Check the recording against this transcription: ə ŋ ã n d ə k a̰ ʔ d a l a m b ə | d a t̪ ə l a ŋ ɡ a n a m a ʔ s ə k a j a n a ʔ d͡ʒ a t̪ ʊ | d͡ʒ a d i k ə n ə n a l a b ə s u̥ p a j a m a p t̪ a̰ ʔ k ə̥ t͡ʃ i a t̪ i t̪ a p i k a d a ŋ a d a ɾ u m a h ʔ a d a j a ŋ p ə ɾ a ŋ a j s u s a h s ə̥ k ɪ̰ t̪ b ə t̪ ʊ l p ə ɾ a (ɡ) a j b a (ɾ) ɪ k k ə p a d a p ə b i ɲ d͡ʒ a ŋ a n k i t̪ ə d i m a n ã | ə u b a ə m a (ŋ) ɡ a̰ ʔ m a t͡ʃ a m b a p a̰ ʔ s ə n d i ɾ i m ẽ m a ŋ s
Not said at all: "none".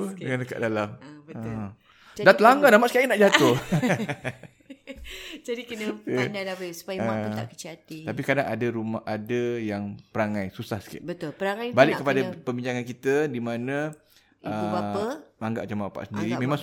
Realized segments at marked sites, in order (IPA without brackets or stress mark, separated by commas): ŋ, l, ŋ